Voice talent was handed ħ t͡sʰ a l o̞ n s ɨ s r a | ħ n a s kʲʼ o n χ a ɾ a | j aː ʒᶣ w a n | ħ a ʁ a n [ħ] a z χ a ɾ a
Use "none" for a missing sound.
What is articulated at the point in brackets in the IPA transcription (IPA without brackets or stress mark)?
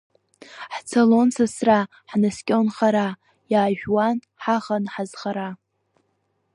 ħ